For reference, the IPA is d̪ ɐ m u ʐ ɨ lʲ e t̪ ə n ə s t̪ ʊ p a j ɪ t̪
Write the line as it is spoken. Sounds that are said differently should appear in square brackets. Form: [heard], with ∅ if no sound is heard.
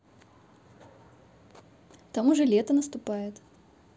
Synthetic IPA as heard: [t̪] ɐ m u ʐ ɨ lʲ e t̪ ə n ə s t̪ ʊ p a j ɪ t̪